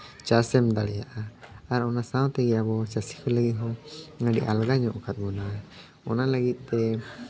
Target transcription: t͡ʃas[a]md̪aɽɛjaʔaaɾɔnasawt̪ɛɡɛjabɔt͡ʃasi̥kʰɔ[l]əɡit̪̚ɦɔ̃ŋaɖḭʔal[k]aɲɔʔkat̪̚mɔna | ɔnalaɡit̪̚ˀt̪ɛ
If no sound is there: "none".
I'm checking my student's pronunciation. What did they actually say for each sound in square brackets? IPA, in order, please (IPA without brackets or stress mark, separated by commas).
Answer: ɛ, l, ɡ